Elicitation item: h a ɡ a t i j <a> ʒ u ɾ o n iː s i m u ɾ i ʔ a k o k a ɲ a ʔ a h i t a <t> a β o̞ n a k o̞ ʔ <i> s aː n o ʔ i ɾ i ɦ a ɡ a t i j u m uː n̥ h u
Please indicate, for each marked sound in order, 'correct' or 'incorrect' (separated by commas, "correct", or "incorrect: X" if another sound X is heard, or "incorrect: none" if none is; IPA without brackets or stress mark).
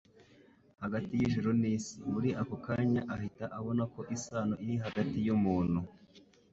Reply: incorrect: i, incorrect: ʔ, correct